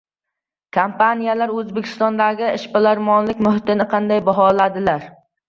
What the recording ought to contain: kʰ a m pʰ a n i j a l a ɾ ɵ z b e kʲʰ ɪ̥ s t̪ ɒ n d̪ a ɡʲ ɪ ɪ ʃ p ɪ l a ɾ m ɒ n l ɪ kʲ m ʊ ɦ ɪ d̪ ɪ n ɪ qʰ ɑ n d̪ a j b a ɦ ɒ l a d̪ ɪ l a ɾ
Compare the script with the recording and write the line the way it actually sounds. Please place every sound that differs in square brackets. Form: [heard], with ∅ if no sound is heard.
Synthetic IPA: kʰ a m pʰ a n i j a l a ɾ ɵ z b e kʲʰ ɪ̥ s t̪ ɒ n d̪ a ɡʲ ɪ ɪ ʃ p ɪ l a ɾ m ɒ n l ɪ kʲ m ʊ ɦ ɪ [t̪] ɪ n ɪ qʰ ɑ n d̪ a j b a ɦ ɒ l a d̪ ɪ l a ɾ